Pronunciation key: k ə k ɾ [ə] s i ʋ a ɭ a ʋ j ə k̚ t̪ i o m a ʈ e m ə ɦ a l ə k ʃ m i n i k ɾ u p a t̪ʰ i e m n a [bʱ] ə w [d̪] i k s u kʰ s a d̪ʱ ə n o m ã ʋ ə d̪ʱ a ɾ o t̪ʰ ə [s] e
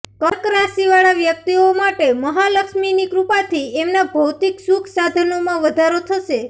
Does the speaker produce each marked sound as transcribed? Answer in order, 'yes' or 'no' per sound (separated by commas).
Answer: no, yes, no, no